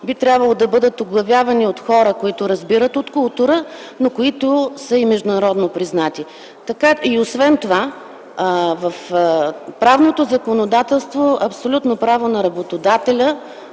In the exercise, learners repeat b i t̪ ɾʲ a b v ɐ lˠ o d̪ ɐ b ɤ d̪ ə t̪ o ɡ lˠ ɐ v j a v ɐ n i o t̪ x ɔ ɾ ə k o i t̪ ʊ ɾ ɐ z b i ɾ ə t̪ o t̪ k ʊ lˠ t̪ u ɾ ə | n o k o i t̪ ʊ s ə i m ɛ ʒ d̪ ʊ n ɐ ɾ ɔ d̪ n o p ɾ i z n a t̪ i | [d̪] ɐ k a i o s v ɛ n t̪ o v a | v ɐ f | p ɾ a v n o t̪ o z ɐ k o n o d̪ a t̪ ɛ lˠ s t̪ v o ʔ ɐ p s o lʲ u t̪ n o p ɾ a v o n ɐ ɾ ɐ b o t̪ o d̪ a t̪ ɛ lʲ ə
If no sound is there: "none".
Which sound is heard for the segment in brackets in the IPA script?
t̪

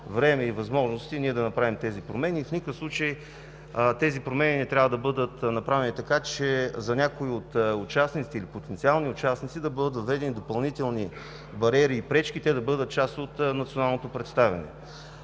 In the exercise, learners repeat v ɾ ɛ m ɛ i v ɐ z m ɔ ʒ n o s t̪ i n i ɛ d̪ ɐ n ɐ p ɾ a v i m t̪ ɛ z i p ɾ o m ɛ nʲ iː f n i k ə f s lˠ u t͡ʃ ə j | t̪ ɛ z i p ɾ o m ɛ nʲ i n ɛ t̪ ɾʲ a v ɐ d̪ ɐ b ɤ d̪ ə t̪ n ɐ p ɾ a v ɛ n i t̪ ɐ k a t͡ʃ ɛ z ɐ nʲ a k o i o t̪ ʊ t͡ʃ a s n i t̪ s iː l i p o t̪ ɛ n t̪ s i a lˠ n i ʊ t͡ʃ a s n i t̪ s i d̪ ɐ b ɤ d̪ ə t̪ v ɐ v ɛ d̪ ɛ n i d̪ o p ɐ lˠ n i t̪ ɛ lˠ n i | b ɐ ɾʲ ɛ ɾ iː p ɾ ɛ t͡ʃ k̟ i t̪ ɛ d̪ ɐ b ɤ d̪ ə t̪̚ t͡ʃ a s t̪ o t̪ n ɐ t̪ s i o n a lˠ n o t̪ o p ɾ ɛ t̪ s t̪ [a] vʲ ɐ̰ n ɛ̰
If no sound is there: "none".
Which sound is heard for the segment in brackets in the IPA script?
a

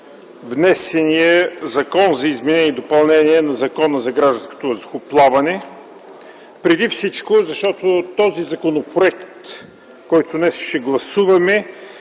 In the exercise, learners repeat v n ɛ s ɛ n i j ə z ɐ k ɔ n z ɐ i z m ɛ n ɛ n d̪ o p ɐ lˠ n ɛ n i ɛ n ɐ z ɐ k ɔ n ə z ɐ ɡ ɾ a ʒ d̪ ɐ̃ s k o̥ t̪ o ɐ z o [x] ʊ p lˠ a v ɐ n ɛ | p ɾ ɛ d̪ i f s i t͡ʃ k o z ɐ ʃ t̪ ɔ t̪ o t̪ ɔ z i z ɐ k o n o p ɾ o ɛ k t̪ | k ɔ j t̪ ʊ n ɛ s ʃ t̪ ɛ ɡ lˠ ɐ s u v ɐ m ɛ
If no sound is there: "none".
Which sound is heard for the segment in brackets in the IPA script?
x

